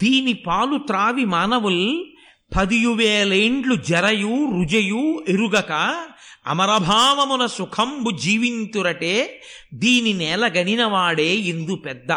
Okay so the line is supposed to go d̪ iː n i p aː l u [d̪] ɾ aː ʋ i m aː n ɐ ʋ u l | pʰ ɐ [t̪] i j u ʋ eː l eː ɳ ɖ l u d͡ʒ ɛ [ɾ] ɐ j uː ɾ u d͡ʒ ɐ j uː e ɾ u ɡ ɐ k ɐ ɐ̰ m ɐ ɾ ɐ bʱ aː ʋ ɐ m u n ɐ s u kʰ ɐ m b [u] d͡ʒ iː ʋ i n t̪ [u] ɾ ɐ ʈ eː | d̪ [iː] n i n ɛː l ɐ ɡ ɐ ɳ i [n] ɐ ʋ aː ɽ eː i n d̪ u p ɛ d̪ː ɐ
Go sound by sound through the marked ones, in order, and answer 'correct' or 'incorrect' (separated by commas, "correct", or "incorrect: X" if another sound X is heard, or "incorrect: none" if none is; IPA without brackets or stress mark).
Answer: incorrect: t̪, incorrect: d̪, correct, correct, correct, correct, correct